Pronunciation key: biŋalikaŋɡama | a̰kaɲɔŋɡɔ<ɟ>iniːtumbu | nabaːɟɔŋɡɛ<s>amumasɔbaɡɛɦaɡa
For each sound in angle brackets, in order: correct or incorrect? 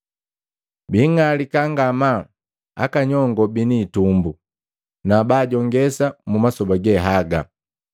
incorrect: b, correct

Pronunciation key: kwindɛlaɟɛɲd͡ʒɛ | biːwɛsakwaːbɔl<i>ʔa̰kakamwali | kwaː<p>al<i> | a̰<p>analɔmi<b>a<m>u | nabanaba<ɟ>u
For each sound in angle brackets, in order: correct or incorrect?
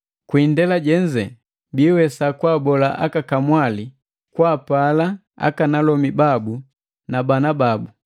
incorrect: a, correct, incorrect: a, incorrect: k, correct, incorrect: b, incorrect: b

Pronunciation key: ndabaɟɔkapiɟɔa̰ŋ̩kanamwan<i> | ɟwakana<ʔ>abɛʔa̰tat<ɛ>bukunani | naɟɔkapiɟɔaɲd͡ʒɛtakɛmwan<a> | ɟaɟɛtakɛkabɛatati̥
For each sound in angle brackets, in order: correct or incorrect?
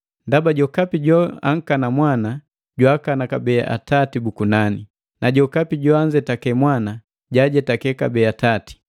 incorrect: a, incorrect: k, incorrect: i, correct

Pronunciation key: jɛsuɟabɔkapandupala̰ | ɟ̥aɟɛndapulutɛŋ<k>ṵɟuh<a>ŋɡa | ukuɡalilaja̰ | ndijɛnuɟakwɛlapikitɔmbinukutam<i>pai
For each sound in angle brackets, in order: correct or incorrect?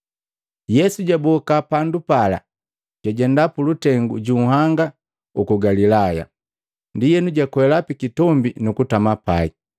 incorrect: ɡ, correct, incorrect: a

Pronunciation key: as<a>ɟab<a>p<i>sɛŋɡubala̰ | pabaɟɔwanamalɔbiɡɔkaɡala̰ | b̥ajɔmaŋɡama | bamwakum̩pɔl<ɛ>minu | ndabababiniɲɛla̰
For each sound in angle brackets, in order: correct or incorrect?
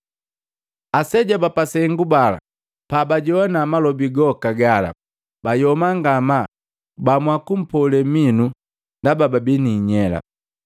incorrect: ɛ, correct, incorrect: a, correct

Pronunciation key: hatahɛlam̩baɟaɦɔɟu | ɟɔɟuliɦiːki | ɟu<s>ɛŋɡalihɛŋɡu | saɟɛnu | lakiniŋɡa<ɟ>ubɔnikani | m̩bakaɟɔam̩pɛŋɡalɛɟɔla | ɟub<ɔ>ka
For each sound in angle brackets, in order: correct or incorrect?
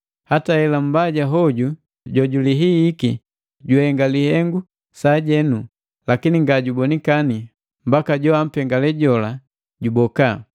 incorrect: h, correct, correct

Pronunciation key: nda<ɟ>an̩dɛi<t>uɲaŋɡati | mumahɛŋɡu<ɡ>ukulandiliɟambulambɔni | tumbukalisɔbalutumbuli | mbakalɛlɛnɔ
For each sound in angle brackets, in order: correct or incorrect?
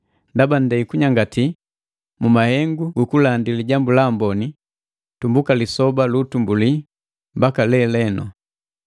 incorrect: b, incorrect: k, correct

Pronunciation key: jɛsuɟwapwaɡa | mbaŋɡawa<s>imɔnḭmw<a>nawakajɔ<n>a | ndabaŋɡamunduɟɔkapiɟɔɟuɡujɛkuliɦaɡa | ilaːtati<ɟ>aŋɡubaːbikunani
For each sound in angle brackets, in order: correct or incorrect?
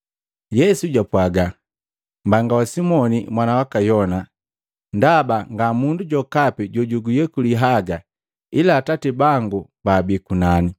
correct, correct, correct, incorrect: b

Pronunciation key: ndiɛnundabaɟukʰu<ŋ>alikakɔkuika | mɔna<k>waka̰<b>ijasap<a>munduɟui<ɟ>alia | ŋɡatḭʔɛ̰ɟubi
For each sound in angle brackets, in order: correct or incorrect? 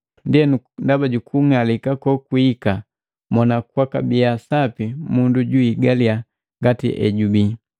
correct, correct, correct, incorrect: i, incorrect: ɡ

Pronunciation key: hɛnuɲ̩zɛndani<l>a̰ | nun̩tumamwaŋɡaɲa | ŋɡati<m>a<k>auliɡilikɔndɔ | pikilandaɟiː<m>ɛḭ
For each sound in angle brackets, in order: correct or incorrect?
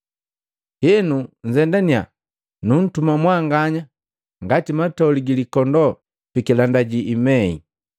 incorrect: none, correct, incorrect: t, correct

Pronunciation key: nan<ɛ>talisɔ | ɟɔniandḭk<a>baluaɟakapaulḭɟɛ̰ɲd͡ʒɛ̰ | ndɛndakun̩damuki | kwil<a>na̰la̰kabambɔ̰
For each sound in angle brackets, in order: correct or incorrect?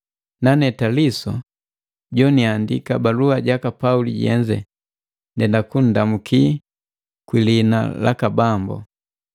correct, correct, incorrect: i

